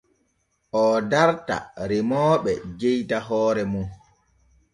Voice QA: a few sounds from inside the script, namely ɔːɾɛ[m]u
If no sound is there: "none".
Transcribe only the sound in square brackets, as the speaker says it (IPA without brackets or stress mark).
m